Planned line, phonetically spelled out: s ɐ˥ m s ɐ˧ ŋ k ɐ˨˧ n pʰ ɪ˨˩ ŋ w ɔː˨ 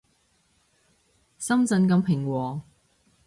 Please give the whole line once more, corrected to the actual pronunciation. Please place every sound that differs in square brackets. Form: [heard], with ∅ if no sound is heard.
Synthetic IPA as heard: s ɐ˥ m [t͡s] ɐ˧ [n] k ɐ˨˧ [m] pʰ ɪ˨˩ ŋ w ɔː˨